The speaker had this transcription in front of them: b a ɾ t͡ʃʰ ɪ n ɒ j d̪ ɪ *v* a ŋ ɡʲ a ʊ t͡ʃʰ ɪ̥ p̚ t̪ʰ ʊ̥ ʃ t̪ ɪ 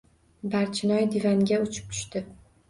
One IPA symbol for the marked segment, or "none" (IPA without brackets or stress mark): v